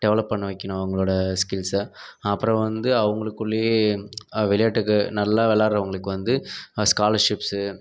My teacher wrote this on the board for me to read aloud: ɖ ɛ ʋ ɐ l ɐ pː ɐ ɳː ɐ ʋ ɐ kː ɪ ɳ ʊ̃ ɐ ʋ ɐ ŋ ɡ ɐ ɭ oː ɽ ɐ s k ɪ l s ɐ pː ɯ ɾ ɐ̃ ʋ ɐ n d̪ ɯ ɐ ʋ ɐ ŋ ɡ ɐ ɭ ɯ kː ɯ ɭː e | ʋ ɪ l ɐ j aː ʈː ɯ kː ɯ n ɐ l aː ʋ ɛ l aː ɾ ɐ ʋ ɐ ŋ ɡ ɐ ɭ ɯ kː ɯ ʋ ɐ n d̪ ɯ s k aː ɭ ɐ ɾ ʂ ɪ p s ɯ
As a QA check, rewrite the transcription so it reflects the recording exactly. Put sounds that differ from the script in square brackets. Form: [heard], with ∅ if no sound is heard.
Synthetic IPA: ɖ ɛ ʋ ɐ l ɐ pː ɐ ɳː ɐ ʋ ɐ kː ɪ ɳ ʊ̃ ɐ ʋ ɐ ŋ ɡ ɐ ɭ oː ɽ ɐ s k ɪ l s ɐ pː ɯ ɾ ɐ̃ ʋ ɐ n d̪ ɯ ɐ ʋ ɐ ŋ ɡ ɐ ɭ ɯ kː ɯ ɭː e | ʋ ɪ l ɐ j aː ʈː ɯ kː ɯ n ɐ [lː] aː ʋ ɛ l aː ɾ ɐ ʋ ɐ ŋ ɡ ɐ ɭ ɯ kː ɯ ʋ ɐ n d̪ ɯ s k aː [l] ɐ ɾ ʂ ɪ p s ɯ